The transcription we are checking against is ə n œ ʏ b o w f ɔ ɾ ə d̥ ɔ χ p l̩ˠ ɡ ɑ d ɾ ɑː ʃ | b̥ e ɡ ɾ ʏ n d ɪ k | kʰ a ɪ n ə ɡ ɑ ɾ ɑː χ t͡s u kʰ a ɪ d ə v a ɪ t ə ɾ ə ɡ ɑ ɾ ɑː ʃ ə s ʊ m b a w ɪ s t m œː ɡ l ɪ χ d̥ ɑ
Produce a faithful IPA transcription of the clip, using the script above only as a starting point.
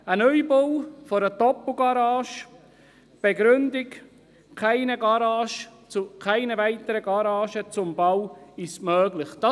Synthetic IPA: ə n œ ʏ b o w f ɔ ɾ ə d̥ ɔ p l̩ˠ ɡ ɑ ɾ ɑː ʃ | b̥ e ɡ ɾ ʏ n d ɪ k | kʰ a ɪ n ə ɡ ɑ ɾ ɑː ʃ t͡s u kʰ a ɪ n ə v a ɪ t ə ɾ ə ɡ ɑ ɾ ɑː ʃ ə t͡s ʊ m b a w ɪ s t m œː ɡ l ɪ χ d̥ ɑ